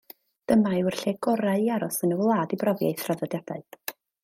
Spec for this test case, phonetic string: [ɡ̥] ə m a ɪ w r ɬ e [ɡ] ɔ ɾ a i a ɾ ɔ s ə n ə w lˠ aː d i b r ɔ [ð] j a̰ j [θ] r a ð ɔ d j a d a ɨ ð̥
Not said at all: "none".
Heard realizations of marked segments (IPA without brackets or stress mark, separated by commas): d̥, ɡ, v, θ